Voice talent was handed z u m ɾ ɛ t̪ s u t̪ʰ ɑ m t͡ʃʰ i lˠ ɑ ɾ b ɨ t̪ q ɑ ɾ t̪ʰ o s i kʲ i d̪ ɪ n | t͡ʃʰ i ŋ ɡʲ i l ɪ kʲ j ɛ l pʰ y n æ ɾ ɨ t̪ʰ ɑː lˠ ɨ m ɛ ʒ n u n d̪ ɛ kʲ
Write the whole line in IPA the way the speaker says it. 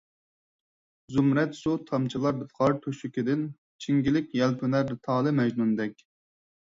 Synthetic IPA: z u m ɾ ɛ t̪ s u t̪ʰ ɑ m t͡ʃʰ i lˠ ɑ ɾ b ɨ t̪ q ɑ ɾ t̪ʰ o ʃ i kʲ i d̪ ɪ n | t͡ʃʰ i ŋ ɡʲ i l ɪ kʲ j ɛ l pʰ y n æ ɾ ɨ t̪ʰ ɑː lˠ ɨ m ɛ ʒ n u n d̪ ɛ kʲ